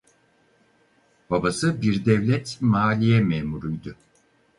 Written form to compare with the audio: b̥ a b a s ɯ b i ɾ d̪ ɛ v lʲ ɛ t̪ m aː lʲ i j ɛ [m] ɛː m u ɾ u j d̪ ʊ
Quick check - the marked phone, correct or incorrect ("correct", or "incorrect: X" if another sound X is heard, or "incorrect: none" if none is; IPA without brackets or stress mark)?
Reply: correct